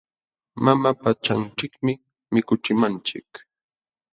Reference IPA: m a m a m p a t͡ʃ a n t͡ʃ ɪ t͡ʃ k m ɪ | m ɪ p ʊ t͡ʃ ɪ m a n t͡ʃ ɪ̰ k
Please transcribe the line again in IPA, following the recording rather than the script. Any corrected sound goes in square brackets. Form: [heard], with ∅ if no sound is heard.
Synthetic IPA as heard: m a m a [∅] p a t͡ʃ a n t͡ʃ ɪ [∅] k m ɪ | m ɪ [k] ʊ t͡ʃ ɪ m a n t͡ʃ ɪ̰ k